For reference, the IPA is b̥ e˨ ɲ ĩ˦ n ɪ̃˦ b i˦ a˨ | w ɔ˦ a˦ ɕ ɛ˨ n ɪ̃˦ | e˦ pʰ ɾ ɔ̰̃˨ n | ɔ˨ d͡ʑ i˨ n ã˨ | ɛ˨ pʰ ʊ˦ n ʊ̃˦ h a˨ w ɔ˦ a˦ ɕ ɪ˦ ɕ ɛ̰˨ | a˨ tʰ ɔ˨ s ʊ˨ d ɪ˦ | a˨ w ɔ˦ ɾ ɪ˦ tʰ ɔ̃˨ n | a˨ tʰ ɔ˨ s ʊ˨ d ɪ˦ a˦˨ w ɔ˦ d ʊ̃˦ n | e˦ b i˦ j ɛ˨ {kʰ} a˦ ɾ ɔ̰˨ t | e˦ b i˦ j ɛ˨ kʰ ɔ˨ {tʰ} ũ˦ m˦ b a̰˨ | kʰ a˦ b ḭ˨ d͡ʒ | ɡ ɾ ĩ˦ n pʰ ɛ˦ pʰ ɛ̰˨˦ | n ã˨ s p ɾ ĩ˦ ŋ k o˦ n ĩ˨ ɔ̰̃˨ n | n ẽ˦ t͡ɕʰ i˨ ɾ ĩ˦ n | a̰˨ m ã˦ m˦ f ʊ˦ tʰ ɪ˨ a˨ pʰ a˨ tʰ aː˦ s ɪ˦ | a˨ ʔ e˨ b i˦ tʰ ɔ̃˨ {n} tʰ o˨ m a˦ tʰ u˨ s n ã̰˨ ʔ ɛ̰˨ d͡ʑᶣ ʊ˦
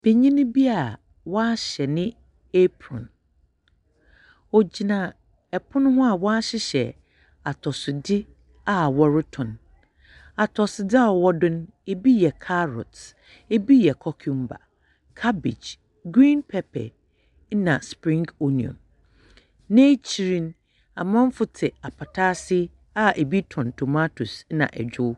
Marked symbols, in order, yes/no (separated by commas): yes, no, yes